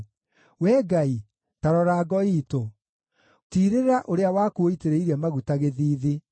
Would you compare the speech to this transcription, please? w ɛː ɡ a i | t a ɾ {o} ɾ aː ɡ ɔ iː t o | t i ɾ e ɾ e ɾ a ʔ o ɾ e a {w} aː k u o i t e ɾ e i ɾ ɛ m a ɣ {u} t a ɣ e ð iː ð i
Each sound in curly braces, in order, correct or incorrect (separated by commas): incorrect, correct, correct